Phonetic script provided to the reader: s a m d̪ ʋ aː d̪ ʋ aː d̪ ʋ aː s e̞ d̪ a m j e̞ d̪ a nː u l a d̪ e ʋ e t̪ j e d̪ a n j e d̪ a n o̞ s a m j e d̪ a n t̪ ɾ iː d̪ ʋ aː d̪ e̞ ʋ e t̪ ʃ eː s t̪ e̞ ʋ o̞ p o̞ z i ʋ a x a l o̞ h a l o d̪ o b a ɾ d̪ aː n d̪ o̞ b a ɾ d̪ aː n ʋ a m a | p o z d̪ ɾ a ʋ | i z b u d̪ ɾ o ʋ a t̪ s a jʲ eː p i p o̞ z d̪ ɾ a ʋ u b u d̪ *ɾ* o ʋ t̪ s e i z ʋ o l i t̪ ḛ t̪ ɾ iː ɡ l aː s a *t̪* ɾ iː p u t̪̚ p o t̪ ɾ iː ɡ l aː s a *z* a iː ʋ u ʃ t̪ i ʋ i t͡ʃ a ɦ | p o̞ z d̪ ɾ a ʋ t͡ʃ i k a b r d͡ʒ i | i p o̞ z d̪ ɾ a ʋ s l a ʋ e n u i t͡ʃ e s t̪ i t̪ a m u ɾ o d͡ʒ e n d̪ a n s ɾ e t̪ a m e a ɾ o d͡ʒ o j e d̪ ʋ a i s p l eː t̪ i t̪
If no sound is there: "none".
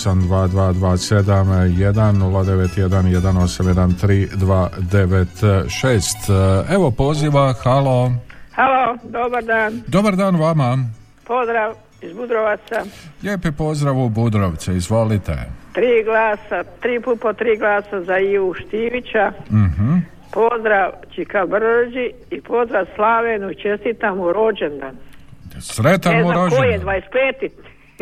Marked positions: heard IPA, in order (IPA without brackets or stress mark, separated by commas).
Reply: ɾ, t̪, z